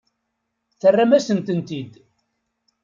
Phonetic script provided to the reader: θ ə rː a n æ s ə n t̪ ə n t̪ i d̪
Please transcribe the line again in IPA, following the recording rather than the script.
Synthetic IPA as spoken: θ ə rː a m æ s ə n t̪ ə n t̪ i d̪